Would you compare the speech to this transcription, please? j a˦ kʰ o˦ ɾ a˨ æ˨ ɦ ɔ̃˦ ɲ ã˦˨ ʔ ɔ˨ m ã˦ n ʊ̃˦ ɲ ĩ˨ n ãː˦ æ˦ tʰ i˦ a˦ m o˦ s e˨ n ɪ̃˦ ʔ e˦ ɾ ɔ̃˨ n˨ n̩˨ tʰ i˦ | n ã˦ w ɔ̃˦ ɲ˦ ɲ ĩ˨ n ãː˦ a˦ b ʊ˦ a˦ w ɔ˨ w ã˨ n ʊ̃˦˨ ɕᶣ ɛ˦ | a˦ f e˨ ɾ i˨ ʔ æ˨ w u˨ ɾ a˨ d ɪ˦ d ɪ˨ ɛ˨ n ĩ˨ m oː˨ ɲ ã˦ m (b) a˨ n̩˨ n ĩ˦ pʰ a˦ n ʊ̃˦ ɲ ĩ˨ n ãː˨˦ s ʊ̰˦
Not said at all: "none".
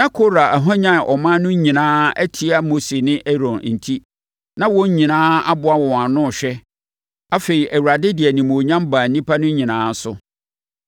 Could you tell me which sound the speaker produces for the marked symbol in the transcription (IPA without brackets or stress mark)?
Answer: b